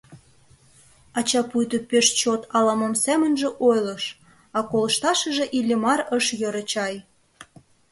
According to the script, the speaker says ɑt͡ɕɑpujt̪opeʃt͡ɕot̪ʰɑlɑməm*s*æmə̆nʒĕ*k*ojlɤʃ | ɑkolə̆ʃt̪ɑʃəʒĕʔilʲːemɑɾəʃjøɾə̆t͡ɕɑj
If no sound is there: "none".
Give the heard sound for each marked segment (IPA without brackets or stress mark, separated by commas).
s, ʔ